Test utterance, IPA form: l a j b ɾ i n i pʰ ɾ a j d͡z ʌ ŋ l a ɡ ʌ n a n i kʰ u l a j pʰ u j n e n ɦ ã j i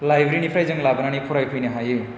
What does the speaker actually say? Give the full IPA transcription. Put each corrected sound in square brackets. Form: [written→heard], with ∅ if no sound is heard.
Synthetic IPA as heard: l a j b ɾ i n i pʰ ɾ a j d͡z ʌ ŋ l a [ɡ→b] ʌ n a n i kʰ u [l→ɾ] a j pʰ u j n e [n→∅] ɦ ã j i